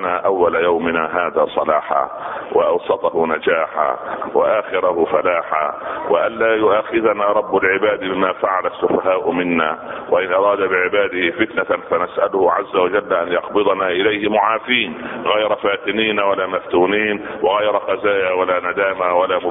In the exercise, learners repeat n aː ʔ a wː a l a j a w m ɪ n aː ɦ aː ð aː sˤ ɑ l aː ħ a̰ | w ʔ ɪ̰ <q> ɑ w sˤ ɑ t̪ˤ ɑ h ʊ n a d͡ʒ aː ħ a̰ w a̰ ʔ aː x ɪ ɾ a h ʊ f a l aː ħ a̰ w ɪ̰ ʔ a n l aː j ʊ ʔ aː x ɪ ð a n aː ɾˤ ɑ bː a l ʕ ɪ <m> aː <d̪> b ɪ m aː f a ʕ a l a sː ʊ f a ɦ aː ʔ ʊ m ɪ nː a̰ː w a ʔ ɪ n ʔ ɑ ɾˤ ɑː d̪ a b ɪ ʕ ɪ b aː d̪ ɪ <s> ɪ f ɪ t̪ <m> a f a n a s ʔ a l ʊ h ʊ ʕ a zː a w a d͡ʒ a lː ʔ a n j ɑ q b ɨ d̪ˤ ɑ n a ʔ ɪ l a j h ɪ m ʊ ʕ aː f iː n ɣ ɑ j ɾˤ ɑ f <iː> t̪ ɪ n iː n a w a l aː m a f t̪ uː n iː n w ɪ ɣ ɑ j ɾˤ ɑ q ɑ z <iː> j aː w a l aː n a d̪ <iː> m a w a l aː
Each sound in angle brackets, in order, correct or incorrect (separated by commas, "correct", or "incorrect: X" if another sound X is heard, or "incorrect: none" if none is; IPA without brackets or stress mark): incorrect: ʔ, incorrect: b, correct, incorrect: h, incorrect: n, incorrect: aː, incorrect: aː, incorrect: aː